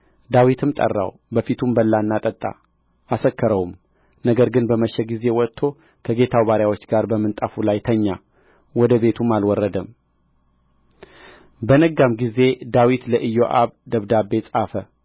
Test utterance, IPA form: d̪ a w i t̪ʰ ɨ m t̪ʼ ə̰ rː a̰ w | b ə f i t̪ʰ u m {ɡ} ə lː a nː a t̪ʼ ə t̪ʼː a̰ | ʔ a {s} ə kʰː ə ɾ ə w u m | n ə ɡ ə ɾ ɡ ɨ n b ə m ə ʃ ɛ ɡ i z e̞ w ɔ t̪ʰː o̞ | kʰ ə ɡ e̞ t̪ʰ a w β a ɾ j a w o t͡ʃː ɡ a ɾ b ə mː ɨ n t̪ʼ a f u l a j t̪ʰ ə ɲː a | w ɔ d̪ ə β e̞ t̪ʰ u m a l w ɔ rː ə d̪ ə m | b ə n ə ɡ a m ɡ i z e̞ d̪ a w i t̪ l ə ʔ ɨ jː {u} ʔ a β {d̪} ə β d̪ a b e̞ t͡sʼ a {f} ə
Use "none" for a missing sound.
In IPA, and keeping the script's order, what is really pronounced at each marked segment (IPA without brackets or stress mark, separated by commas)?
b, s, o, d̪, f